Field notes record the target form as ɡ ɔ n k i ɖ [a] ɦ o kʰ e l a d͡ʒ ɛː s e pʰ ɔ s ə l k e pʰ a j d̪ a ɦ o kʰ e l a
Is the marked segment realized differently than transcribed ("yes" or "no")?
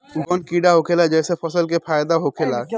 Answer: no